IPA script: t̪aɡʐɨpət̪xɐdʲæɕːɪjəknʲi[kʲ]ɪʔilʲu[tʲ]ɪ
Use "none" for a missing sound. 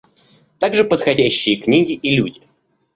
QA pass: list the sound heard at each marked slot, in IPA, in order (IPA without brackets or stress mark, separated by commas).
ɡʲ, dʲ